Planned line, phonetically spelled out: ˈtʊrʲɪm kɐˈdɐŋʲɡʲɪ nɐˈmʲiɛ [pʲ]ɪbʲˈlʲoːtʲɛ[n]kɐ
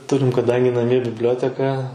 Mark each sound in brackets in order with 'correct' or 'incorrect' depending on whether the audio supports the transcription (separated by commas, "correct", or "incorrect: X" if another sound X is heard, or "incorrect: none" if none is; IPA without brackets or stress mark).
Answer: incorrect: bʲ, incorrect: none